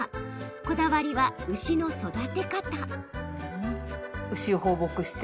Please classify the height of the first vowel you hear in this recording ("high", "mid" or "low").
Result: mid